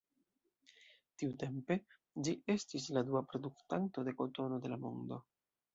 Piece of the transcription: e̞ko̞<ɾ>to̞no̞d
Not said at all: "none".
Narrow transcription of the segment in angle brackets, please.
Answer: none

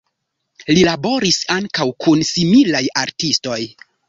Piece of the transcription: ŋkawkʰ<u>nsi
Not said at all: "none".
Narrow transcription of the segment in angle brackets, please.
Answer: u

